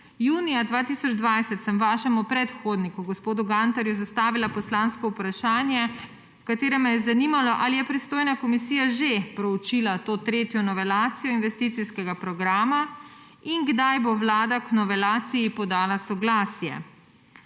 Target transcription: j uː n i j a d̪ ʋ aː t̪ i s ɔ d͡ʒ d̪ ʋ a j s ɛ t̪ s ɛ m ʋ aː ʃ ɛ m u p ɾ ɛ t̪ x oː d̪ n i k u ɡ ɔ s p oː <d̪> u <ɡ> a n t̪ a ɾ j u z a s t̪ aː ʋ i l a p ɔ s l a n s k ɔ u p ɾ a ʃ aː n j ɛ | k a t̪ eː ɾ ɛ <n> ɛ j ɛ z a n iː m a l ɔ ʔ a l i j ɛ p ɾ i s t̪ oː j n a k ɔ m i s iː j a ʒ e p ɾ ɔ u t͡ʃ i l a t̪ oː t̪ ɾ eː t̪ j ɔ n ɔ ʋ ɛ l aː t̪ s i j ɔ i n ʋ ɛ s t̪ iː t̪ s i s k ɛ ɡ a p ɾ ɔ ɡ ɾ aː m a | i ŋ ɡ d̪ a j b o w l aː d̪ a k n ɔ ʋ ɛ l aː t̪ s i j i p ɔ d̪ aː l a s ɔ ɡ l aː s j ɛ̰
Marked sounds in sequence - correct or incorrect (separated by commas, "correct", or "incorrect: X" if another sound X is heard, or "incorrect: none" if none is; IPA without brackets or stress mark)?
correct, correct, incorrect: m